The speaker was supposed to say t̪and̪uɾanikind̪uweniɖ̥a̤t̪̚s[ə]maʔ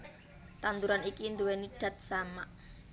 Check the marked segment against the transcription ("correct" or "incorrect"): incorrect